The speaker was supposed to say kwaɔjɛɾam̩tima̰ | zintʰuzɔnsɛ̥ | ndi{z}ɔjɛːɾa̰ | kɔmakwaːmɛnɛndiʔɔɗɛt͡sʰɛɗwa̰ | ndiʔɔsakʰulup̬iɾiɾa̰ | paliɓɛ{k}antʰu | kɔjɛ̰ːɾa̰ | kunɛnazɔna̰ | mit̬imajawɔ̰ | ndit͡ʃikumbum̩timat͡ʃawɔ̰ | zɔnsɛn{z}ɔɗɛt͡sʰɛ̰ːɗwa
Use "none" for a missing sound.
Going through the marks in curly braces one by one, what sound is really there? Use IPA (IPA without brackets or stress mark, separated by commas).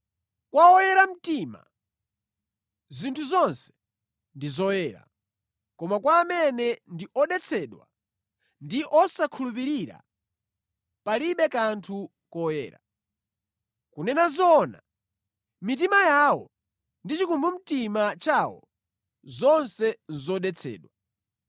z, k, z